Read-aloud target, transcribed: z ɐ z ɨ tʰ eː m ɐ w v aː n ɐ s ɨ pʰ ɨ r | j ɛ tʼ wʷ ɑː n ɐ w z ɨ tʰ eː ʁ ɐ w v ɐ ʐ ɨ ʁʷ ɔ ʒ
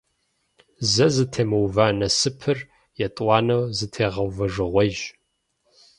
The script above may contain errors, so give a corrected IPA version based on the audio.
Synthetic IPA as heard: z ɐ z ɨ tʰ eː m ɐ w v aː n ɐ s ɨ pʰ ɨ r | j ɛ tʼ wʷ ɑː n ɐ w z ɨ tʰ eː ʁ ɐ w v ɐ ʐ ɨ ʁʷ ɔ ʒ